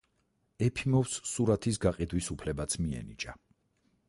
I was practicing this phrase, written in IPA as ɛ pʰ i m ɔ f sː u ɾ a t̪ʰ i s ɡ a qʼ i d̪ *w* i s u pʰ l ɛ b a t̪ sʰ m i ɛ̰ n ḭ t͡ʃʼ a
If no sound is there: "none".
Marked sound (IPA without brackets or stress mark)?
w